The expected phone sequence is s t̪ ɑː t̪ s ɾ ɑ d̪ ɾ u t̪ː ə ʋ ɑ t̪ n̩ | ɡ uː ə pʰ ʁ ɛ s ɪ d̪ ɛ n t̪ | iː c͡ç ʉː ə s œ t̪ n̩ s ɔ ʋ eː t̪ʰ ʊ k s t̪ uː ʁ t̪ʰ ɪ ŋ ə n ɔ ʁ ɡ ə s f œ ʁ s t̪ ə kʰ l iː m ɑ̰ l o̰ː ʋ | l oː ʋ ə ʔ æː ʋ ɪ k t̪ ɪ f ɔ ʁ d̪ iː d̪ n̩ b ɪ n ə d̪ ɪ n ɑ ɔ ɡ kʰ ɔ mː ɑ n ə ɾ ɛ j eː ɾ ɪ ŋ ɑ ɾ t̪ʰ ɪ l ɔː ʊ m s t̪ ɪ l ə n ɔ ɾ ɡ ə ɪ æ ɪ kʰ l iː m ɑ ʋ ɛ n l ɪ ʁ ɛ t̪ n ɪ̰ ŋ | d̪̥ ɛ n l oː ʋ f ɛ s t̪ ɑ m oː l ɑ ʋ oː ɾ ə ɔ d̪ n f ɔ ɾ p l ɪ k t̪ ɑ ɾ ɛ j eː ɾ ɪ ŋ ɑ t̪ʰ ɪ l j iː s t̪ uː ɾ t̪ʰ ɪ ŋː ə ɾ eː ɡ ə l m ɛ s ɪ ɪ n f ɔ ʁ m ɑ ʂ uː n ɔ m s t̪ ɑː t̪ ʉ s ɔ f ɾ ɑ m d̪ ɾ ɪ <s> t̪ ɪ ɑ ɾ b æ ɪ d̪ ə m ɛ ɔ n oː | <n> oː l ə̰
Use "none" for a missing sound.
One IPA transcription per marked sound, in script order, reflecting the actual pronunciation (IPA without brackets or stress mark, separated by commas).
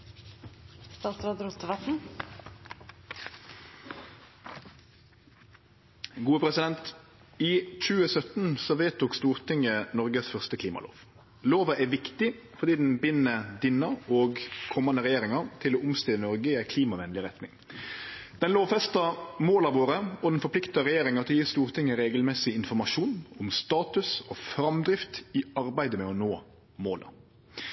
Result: f, m